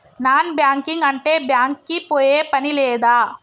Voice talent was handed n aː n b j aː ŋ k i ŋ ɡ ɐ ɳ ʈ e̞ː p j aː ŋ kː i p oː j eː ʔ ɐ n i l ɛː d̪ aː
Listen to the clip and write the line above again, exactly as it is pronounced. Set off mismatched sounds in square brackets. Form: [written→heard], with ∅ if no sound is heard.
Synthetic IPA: n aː n b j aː ŋ k i ŋ ɡ ɐ ɳ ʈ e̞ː [p→b] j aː ŋ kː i p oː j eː [ʔ→p] ɐ n i l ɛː d̪ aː